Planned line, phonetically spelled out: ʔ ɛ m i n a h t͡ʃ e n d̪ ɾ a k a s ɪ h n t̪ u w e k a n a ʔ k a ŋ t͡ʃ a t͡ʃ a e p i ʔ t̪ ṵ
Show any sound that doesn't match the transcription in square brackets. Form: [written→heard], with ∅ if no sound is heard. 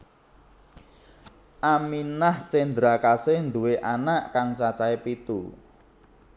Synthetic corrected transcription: ʔ [ɛ→a] m i n a h t͡ʃ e n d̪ ɾ a k a s ɪ h n [t̪→d̪] u w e [k→ʔ] a n a ʔ k a ŋ t͡ʃ a t͡ʃ a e p i [ʔ→∅] t̪ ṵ